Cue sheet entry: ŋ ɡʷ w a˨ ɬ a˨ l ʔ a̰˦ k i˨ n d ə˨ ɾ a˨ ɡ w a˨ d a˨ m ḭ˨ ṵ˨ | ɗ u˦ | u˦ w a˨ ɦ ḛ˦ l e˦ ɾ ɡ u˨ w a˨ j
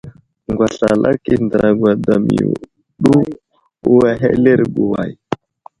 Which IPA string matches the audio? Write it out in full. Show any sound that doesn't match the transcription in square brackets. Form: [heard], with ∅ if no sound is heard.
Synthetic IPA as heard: ŋ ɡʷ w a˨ ɬ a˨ l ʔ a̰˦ k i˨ n d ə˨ ɾ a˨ ɡ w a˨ d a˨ m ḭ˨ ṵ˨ | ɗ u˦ | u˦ w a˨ ɦ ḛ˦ l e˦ ɾ ɡ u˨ w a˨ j